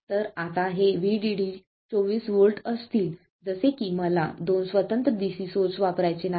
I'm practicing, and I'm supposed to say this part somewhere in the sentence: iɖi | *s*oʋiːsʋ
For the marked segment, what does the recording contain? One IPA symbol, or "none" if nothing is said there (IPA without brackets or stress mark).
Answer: t͡s